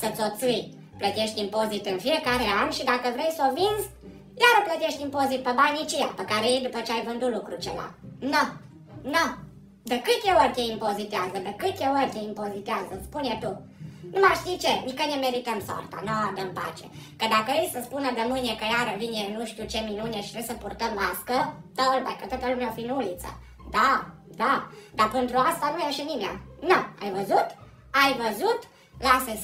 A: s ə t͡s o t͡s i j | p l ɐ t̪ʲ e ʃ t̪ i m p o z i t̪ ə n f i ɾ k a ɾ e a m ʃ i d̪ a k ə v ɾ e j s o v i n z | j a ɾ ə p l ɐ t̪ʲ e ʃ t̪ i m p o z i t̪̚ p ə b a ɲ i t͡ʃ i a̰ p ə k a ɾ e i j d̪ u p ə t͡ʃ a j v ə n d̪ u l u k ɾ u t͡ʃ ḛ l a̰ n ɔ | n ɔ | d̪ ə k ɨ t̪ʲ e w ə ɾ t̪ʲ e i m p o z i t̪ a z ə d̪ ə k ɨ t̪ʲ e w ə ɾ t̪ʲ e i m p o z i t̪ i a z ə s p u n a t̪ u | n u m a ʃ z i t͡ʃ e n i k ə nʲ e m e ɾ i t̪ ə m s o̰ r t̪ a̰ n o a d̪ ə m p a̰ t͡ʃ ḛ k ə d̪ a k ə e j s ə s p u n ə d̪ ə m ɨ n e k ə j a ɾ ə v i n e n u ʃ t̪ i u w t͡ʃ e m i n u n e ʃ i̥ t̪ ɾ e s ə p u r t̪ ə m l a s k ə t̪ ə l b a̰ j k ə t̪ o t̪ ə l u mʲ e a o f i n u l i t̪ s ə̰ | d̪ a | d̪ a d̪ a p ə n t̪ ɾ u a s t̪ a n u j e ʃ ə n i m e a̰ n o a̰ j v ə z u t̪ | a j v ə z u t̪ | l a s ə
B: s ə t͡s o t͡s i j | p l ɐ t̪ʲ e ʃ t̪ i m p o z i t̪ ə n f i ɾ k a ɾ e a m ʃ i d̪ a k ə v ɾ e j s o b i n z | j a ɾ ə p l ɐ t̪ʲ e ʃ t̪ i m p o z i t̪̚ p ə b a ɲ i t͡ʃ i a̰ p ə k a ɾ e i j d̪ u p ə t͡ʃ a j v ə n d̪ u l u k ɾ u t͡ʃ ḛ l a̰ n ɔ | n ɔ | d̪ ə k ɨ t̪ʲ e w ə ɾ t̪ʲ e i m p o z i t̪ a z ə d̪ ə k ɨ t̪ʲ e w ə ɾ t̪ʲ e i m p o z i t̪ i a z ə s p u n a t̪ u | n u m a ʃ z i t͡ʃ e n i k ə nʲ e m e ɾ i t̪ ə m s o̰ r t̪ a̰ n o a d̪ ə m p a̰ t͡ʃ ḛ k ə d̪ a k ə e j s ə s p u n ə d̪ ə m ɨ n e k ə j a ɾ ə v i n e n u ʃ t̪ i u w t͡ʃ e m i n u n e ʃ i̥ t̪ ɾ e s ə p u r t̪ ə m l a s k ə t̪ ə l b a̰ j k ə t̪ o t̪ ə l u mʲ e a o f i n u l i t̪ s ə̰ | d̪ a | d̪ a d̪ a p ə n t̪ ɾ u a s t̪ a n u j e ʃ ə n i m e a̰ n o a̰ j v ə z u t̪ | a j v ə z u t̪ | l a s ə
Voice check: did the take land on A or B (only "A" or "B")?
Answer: A